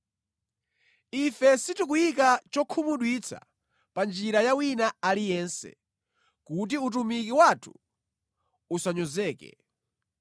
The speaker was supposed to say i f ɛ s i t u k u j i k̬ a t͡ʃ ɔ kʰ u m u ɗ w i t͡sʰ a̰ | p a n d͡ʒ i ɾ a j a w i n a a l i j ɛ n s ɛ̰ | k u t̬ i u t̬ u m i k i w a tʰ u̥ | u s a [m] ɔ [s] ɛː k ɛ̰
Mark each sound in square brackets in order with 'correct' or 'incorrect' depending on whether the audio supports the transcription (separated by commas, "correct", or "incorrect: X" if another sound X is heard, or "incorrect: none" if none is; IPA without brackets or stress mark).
incorrect: ɲ, incorrect: z